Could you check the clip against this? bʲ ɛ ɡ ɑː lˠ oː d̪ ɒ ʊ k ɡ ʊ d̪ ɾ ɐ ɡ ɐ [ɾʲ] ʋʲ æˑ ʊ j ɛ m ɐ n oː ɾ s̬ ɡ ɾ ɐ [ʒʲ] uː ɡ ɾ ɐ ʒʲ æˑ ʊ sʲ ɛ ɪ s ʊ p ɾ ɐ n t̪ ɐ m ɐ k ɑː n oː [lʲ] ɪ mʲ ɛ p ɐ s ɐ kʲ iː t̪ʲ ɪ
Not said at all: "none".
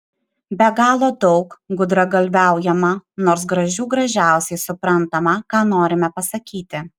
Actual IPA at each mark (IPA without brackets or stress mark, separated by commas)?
lʲ, ʒʲ, ɾʲ